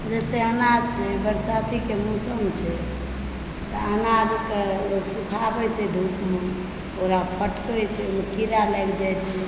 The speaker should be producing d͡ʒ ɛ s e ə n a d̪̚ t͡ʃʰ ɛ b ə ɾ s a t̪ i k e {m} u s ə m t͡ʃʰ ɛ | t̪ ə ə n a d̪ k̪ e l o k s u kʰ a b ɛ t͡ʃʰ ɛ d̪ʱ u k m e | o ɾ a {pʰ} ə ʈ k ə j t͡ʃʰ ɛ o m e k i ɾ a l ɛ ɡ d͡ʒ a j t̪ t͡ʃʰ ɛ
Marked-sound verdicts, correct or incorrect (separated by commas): correct, correct